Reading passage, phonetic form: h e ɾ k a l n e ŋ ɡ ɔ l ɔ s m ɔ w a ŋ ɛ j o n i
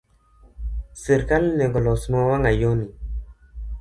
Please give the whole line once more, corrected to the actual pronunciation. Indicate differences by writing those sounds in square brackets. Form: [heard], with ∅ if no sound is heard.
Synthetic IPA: [s] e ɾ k a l n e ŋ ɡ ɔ l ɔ s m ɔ w a ŋ [a] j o n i